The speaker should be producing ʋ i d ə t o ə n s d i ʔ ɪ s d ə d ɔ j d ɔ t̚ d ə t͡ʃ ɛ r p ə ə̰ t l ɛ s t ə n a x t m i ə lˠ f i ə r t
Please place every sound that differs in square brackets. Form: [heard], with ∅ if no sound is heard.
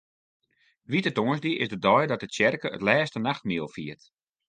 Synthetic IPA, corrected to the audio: ʋ i [t] ə t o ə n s d i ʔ ɪ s d ə d ɔ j d ɔ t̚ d ə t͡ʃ ɛ r [k] ə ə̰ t l [ɛː] s t ə n a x t m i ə lˠ f i ə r t